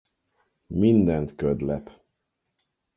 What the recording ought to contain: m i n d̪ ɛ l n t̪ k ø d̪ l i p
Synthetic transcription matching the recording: m i n d̪ ɛ n t̪ k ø d̪ l ɛ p